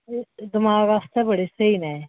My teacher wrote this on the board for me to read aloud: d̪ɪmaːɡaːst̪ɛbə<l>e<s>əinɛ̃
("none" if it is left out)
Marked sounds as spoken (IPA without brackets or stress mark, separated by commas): ɽ, s